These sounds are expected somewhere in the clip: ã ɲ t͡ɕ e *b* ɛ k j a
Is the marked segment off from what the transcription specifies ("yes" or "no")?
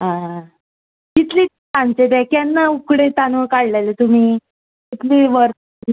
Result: no